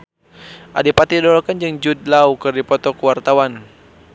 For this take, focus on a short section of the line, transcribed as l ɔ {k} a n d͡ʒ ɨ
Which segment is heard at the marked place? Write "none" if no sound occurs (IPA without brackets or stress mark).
k